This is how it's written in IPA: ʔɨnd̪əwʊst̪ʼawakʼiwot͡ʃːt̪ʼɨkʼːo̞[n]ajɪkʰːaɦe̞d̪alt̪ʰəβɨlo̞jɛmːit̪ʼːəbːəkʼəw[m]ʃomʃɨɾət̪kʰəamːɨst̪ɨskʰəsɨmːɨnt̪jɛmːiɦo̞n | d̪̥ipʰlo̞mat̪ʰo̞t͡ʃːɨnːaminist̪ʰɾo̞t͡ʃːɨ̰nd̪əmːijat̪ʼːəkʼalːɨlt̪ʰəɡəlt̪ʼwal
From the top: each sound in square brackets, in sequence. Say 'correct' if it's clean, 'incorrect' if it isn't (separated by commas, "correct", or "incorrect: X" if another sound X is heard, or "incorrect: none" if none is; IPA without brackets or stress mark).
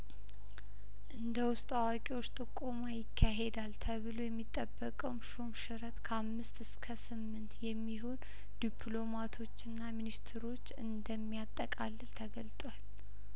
incorrect: m, correct